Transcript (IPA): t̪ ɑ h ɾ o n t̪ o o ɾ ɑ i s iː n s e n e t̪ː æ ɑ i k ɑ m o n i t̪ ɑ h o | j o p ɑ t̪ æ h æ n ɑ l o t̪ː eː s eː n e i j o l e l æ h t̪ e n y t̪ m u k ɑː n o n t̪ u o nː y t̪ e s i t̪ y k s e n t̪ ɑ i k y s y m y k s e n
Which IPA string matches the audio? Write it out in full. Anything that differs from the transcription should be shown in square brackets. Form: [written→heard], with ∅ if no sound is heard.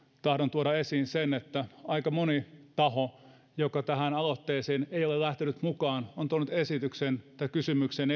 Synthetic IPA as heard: t̪ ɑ h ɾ o n t̪ [o→u] o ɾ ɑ [i→e] s iː n s e n e t̪ː æ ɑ i k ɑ m o n i t̪ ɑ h o | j o [p→k] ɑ t̪ æ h æ n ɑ l o t̪ː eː s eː n e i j o l e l æ h t̪ e n y t̪ m u k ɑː n o n t̪ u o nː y t̪ e s i t̪ y k s e n t̪ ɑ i k y s y m y k s e n